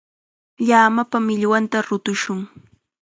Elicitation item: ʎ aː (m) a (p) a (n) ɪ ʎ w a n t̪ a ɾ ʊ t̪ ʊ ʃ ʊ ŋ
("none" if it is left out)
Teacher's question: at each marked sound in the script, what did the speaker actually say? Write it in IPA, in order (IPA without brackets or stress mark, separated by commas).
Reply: m, p, m